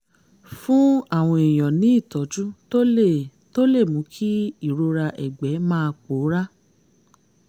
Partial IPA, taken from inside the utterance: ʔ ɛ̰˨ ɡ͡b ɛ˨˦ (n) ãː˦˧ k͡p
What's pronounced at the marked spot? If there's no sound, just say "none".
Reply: m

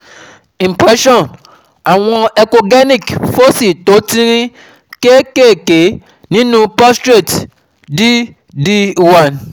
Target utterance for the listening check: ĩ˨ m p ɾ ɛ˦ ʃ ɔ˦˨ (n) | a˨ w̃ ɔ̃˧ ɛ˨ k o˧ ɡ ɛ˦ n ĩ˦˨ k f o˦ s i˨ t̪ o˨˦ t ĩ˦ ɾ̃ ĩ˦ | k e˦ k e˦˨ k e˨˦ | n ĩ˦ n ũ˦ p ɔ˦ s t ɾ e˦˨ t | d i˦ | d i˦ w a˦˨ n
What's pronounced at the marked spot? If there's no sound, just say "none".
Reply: n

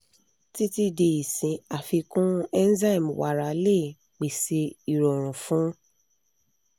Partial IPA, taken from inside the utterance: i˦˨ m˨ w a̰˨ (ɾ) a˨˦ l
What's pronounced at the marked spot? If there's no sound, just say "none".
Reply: ɾ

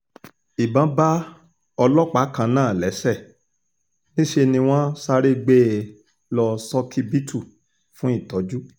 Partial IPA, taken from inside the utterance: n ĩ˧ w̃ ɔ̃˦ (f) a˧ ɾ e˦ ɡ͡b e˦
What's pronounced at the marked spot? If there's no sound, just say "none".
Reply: s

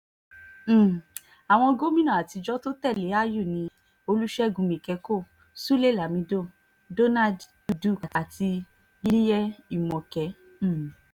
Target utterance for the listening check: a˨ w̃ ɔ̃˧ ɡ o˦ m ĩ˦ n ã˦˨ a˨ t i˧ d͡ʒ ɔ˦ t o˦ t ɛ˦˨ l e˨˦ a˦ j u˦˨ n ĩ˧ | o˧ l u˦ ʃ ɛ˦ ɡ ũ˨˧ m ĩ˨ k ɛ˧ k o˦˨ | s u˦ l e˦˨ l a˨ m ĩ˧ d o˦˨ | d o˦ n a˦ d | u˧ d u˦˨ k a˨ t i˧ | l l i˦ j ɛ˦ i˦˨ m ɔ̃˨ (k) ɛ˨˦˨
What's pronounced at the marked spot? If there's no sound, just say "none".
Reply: k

